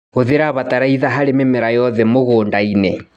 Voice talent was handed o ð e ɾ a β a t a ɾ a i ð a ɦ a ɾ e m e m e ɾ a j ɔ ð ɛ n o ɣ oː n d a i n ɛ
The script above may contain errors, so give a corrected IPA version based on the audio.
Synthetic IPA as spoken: o ð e ɾ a β a t a ɾ a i ð a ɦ a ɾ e m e m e ɾ a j ɔ ð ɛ m o ɣ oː n d a i n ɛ